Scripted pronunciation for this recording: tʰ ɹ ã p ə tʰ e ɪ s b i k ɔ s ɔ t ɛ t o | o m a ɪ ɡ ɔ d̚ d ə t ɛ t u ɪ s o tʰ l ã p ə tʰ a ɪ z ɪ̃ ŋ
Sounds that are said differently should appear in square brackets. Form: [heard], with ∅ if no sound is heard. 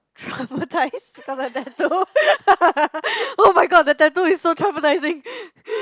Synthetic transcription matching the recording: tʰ ɹ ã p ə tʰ [a] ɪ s b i k ɔ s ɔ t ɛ t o | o m a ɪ ɡ ɔ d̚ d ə t ɛ t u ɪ s o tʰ [ɹ] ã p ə [t] a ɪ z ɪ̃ ŋ